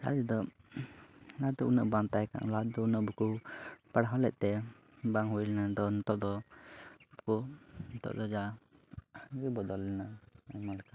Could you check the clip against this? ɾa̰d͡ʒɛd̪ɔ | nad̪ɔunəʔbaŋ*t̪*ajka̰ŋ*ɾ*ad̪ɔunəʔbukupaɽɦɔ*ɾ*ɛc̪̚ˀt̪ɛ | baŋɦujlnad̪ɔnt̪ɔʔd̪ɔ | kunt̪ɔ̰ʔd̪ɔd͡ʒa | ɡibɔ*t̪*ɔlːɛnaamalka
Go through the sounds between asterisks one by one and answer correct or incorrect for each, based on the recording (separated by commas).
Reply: correct, incorrect, incorrect, incorrect